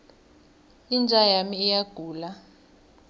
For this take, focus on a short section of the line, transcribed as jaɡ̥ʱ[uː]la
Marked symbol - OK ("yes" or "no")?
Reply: yes